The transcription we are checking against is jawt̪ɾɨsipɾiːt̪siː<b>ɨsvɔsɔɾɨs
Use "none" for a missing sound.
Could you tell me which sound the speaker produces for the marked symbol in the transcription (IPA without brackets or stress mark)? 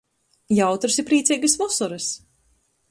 ɡ